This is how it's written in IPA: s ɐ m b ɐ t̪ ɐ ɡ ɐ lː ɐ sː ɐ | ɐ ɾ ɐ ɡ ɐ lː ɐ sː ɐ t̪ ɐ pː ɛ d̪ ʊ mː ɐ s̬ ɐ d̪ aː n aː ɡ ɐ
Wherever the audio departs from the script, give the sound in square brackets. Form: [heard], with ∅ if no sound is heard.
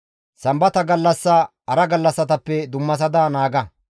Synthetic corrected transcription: s ɐ m b ɐ t̪ ɐ ɡ ɐ lː ɐ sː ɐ | ɐ ɾ ɐ ɡ ɐ lː ɐ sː ɐ t̪ ɐ pː ɛ d̪ ʊ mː ɐ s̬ ɐ d̪ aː n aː ɡ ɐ